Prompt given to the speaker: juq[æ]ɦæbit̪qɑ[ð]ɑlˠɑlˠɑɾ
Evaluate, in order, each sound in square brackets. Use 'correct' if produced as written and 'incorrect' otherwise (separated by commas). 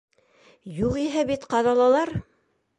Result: incorrect, correct